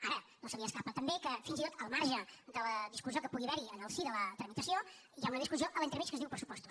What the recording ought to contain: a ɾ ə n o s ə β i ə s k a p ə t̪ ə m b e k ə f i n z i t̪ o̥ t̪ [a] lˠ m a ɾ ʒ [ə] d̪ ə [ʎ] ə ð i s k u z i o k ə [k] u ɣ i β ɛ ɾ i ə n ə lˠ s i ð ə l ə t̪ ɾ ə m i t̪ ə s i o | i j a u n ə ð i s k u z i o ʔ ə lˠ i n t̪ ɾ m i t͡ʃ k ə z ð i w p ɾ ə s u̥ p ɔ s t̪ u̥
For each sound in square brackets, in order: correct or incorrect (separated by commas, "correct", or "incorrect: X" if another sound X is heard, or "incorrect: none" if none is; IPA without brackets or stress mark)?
incorrect: ə, correct, incorrect: l, incorrect: p